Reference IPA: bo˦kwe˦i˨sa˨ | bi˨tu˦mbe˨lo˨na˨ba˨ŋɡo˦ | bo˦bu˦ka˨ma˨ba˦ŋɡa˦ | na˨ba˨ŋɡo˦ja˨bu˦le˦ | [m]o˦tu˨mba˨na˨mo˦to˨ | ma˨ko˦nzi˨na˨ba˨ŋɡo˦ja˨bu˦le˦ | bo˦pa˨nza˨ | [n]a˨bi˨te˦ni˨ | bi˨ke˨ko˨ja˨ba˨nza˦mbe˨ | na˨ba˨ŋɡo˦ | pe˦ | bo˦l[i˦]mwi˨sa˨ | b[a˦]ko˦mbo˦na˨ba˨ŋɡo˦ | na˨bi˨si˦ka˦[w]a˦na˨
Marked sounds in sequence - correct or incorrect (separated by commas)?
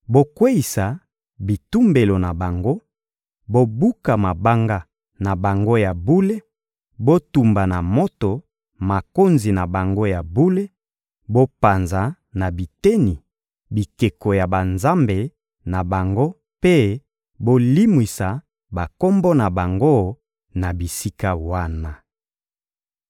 incorrect, correct, correct, incorrect, correct